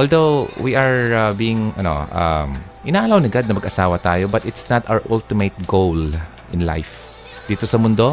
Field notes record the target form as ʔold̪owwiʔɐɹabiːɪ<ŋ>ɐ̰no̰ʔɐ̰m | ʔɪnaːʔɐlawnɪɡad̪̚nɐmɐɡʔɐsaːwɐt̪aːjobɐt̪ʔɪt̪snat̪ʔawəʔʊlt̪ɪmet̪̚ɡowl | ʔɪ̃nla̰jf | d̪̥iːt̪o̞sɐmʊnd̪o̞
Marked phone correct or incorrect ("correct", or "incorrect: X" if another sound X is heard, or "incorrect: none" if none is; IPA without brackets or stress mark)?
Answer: correct